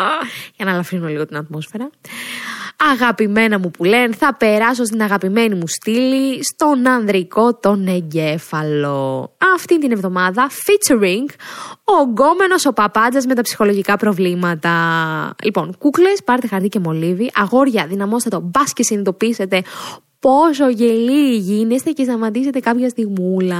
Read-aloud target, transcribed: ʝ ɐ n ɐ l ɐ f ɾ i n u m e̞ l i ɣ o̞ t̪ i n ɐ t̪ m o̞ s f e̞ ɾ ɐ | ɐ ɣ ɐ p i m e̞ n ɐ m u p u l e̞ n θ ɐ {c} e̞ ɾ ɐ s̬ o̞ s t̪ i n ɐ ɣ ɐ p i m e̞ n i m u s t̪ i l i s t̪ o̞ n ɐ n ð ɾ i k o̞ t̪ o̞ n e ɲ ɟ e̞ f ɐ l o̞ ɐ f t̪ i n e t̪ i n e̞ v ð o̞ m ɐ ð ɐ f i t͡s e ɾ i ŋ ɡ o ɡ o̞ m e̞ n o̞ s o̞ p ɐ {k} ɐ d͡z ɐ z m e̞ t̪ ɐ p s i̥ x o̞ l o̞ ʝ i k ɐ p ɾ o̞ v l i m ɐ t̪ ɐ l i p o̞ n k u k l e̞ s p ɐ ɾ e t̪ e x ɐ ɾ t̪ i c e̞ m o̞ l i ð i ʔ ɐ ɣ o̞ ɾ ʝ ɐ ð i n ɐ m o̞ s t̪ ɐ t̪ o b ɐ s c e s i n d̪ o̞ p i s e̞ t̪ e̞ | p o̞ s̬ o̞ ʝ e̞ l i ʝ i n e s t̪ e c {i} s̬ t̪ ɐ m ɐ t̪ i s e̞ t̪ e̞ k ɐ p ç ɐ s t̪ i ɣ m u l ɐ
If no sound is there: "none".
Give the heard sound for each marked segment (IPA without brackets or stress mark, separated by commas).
p, p, e